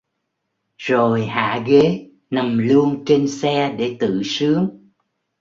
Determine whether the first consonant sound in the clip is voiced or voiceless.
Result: voiced